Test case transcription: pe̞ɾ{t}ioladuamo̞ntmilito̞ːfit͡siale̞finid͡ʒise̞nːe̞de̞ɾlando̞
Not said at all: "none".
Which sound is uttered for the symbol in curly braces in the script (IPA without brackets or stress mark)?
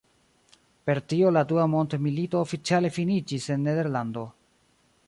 t